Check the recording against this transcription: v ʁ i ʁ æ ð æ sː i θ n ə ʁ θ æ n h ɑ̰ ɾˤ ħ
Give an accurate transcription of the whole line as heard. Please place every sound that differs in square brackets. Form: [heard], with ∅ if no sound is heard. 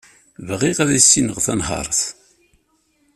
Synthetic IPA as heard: v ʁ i ʁ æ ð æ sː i [∅] n ə ʁ θ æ n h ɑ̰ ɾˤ [θ]

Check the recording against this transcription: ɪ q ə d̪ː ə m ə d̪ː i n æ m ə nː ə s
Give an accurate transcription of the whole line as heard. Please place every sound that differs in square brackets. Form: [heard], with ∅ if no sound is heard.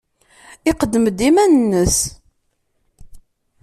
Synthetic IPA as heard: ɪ q ə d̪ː ə m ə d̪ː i [m] æ [n] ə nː ə s

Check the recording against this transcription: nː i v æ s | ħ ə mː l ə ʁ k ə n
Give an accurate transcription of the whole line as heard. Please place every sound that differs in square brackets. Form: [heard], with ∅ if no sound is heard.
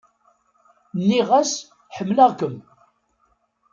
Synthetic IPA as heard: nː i [ʁ] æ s | ħ ə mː l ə ʁ k ə [m]

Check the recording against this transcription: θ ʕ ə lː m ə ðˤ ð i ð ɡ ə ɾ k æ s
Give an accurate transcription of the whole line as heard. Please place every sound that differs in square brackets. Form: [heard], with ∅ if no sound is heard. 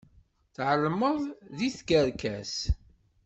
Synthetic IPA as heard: θ ʕ ə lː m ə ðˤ ð i [θ] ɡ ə ɾ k æ s

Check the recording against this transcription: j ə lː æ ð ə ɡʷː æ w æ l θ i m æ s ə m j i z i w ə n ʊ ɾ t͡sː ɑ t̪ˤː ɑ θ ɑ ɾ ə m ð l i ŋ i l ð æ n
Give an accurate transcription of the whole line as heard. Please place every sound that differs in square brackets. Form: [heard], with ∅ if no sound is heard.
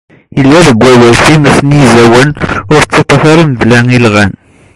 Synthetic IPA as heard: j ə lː æ ð ə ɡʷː æ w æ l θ i m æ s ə [n] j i z [æ] w ə n ʊ ɾ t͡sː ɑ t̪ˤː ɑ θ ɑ ɾ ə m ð l [æ] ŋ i l [ʁ] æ n

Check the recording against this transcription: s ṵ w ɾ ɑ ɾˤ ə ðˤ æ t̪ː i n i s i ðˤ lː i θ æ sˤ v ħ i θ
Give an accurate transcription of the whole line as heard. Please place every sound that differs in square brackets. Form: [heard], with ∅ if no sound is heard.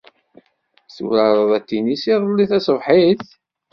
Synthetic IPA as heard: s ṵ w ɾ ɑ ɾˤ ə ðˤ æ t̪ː i n i s i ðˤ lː i θ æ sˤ v ħ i θ

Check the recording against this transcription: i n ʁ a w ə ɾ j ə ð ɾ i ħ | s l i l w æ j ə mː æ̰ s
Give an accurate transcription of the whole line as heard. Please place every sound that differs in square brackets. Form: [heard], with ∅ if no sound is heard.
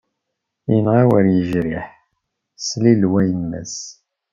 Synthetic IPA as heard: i n ʁ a w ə ɾ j ə [ʒ] ɾ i ħ | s l i l w æ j ə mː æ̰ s

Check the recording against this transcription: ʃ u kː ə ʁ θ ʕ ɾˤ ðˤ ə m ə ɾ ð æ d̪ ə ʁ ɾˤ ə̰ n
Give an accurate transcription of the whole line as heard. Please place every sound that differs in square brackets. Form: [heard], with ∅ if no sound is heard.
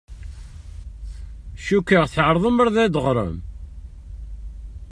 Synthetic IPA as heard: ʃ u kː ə ʁ θ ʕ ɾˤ ðˤ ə m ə ɾ ð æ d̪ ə ʁ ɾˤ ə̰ [m]

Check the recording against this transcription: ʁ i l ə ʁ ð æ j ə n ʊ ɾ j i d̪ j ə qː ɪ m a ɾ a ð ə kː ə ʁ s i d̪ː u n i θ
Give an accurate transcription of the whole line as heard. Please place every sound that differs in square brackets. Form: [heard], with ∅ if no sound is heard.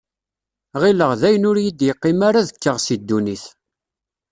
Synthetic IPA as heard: ʁ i l ə ʁ ð æ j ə n ʊ ɾ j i d̪ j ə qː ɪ m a ɾ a ð ə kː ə ʁ s i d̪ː u n i θ

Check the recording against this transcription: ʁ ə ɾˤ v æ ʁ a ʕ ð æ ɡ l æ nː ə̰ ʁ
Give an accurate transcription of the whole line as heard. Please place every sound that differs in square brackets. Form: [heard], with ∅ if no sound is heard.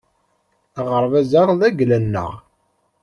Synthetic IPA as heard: ʁ ə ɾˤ v æ [z] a [ʁ] ð æ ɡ l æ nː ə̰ ʁ

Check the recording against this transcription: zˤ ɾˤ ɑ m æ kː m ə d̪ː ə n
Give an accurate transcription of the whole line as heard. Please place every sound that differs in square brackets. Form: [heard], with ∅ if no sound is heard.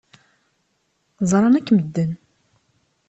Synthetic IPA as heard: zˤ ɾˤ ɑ [n] æ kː m ə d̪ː ə n

